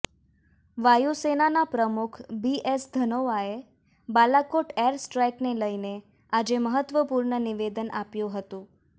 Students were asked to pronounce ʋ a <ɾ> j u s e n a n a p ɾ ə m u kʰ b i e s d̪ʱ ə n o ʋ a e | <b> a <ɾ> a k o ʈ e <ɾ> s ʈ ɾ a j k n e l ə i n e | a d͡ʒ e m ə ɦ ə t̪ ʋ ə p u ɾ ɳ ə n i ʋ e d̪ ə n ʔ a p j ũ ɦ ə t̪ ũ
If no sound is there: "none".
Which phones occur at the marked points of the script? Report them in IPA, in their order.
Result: none, b, l, ɾ

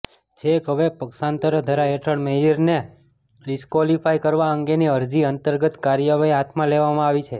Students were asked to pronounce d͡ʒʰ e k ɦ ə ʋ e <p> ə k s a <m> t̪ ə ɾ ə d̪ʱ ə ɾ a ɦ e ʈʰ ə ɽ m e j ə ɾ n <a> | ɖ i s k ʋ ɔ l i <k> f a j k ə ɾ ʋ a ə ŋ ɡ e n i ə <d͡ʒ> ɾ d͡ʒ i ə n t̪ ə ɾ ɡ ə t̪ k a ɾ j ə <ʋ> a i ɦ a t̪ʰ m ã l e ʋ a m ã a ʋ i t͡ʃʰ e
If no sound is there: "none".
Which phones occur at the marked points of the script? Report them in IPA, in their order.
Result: p, n, e, none, none, ʋ

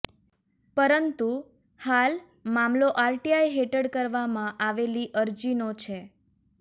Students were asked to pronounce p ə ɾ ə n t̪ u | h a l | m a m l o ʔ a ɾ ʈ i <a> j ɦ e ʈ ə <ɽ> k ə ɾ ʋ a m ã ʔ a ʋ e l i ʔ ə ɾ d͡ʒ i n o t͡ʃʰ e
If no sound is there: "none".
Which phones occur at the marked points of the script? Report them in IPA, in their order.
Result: a, ɽ

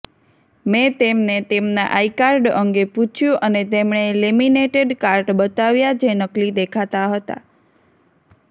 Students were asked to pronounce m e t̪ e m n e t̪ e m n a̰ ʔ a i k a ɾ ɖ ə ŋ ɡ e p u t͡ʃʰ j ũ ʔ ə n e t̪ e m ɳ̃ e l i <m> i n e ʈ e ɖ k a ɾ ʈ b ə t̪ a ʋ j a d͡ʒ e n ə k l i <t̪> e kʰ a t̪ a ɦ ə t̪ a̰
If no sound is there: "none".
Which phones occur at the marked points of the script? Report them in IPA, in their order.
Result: m, d̪

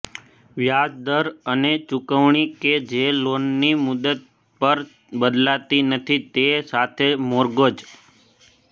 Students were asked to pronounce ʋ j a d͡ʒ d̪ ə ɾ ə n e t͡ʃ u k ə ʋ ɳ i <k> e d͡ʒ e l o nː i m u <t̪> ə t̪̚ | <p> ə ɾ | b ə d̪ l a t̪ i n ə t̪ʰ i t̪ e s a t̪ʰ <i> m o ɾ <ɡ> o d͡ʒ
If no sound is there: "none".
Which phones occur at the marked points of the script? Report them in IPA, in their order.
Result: k, d̪, p, e, ɡ

